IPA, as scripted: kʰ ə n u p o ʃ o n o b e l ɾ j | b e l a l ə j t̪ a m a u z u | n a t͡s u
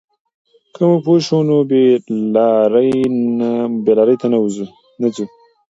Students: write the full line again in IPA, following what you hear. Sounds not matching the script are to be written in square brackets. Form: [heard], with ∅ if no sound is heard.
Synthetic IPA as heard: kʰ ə [m] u p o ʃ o n o b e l ɾ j | b e l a [ɾ] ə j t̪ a [n] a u z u | n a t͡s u